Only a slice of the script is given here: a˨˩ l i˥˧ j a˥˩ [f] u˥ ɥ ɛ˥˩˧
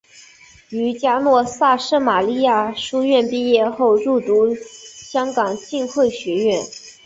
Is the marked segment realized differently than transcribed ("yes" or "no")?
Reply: yes